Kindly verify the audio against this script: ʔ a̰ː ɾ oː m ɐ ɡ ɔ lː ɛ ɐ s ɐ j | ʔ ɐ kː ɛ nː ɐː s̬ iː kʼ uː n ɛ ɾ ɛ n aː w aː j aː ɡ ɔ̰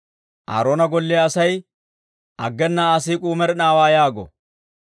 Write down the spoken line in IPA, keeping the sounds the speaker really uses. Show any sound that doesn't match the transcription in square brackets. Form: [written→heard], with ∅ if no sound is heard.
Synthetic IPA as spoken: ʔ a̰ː ɾ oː [m→n] ɐ ɡ ɔ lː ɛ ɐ s ɐ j | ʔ ɐ [kː→ɡː] ɛ nː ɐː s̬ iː kʼ uː [n→m] ɛ ɾ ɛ n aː w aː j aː ɡ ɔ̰

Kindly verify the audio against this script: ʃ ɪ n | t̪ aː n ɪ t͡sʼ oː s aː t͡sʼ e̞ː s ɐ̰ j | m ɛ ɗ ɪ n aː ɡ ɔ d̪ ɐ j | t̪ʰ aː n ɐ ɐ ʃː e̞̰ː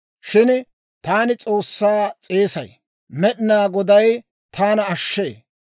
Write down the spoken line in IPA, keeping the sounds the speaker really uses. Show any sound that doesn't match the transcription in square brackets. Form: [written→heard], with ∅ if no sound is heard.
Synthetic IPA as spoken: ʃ ɪ n | t̪ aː n ɪ t͡sʼ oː [s→sː] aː t͡sʼ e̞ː s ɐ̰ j | m ɛ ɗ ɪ n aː ɡ ɔ d̪ ɐ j | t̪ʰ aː n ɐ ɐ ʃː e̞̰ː

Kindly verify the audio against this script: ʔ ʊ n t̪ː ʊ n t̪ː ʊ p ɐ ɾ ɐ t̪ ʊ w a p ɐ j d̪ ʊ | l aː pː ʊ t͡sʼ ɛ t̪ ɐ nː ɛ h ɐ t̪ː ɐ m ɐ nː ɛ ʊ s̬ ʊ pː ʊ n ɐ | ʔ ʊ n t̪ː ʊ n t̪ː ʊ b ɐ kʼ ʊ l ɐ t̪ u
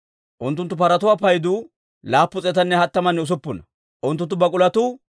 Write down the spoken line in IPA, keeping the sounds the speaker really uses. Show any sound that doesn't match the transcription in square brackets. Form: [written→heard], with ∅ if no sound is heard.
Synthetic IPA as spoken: ʔ ʊ n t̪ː ʊ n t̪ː ʊ p ɐ ɾ ɐ t̪ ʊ w a p ɐ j d̪ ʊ | l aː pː ʊ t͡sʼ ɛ t̪ ɐ nː ɛ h ɐ t̪ː ɐ m ɐ nː ɛ ʊ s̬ ʊ pː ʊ n ɐ | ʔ ʊ n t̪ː ʊ n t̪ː ʊ b ɐ kʼ ʊ l ɐ t̪ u

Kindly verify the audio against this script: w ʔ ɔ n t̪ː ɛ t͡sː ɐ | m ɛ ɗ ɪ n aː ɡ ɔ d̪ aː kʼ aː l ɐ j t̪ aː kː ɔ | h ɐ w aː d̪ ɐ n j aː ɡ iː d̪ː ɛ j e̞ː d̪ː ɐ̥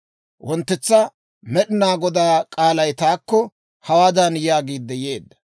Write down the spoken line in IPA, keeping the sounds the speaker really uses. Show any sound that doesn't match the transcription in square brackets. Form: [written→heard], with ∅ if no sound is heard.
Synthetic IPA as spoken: w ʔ ɔ n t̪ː ɛ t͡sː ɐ | m ɛ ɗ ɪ n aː ɡ ɔ d̪ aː kʼ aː l ɐ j t̪ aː kː ɔ | h ɐ w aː d̪ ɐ n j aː ɡ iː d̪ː ɛ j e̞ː d̪ː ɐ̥

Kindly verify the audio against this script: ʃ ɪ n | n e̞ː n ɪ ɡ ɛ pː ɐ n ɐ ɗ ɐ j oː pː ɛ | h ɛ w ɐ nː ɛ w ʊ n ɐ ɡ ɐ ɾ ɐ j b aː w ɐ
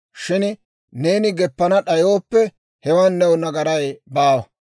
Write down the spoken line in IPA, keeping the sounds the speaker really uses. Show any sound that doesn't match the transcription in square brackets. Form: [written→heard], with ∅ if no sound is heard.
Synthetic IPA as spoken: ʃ ɪ n | n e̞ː n ɪ ɡ ɛ pː ɐ n ɐ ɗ ɐ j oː pː ɛ | h ɛ w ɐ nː ɛ w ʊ n ɐ ɡ ɐ ɾ ɐ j b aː w ɐ

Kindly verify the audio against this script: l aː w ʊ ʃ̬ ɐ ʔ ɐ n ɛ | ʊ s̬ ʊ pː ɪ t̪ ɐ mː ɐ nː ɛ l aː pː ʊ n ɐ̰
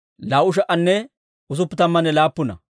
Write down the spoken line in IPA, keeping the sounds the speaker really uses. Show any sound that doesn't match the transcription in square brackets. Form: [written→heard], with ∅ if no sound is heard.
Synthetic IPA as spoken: l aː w ʊ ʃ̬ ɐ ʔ ɐ [n→nː] ɛ | ʊ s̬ ʊ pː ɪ t̪ ɐ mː ɐ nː ɛ l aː pː ʊ n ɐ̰

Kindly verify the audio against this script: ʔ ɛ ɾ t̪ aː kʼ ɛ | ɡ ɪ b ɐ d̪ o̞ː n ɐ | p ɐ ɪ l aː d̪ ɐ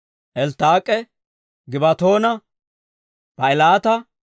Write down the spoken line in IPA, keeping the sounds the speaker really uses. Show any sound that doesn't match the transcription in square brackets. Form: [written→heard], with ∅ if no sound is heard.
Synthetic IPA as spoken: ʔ ɛ [ɾ→l] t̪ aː kʼ ɛ | ɡ ɪ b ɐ [d̪→t̪] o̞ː n ɐ | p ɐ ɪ l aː [d̪→t̪] ɐ

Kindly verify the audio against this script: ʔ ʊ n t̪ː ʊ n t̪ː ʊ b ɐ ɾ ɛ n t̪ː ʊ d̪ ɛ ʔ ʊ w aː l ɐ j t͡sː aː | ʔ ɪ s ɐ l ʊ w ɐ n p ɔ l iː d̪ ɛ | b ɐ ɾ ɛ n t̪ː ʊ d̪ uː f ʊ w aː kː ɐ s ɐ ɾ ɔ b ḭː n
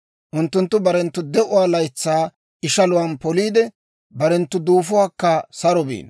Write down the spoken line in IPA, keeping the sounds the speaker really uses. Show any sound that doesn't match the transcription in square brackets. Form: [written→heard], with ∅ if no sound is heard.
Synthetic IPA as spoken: ʔ ʊ n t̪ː ʊ n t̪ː ʊ b ɐ ɾ ɛ n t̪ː ʊ d̪ ɛ ʔ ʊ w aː l ɐ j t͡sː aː | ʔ ɪ [s→ʃ] ɐ l ʊ w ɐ n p ɔ l iː d̪ ɛ | b ɐ ɾ ɛ n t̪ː ʊ d̪ uː f ʊ w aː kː ɐ s ɐ ɾ ɔ b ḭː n

